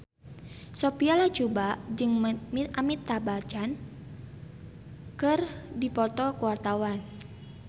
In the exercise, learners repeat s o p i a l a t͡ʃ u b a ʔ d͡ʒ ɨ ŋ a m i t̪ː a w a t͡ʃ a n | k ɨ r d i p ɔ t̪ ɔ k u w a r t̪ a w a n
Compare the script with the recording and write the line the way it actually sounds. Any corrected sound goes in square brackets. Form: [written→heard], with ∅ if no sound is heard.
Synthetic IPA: s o p i a l a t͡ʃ u b a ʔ d͡ʒ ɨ ŋ a m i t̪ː a [w→b] a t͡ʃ a n | k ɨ r d i p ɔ t̪ ɔ k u w a r t̪ a w a n